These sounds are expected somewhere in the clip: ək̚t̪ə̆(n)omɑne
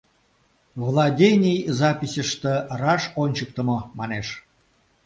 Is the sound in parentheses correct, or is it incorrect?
incorrect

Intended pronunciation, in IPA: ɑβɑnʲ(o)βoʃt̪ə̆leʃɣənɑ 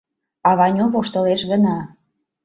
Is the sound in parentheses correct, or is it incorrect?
correct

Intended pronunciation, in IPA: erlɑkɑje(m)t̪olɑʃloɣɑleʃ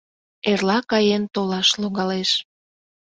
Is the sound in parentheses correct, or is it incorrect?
incorrect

